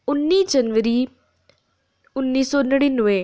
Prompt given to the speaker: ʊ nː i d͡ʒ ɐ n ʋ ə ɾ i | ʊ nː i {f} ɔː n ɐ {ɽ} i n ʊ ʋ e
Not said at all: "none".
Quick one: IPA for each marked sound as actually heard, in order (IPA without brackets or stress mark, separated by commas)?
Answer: s, ɽ